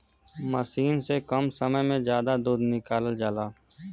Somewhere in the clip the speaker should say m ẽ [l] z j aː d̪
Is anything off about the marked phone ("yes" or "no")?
yes